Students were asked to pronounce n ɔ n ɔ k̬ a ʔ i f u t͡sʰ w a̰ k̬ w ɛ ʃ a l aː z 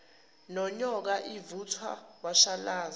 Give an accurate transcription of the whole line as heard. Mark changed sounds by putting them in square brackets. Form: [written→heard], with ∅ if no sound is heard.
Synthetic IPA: n ɔ [n→ɲ] ɔ k̬ a ʔ i [f→v] u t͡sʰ w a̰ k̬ w [ɛ→a] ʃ a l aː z